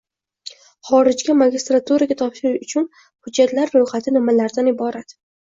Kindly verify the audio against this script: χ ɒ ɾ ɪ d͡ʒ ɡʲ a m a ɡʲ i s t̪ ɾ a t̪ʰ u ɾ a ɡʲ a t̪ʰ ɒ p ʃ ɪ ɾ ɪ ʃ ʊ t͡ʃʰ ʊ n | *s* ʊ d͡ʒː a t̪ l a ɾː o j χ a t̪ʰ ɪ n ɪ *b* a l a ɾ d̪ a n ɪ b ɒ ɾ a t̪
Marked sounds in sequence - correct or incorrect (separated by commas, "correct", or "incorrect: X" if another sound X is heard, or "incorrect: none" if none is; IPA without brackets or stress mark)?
incorrect: h, incorrect: m